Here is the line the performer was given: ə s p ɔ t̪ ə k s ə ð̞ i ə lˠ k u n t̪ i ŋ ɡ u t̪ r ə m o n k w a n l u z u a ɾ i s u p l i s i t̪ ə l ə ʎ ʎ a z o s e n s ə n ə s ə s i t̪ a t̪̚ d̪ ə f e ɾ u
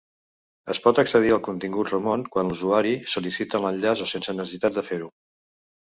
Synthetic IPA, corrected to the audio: ə s p ɔ t̪ ə k s ə ð̞ i ə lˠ k u n t̪ i ŋ ɡ u t̪ r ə m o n k w a n l u z u a ɾ i s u l i s i t̪ ə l ə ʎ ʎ a z o s e n s ə n ə s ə s i t̪ a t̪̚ d̪ ə f e ɾ u